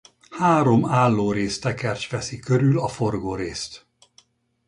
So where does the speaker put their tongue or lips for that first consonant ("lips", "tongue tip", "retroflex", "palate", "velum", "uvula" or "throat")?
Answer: throat